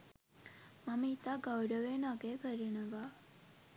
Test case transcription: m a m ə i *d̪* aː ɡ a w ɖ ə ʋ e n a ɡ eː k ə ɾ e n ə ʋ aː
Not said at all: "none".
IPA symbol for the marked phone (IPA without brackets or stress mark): t̪